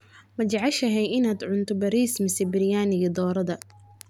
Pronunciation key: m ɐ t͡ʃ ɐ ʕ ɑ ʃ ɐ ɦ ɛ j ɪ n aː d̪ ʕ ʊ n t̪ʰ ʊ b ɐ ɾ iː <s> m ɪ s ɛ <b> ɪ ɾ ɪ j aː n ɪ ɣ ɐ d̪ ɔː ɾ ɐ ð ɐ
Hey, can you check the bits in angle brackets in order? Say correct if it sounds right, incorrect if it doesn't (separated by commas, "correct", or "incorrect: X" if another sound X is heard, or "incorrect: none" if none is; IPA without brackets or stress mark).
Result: correct, correct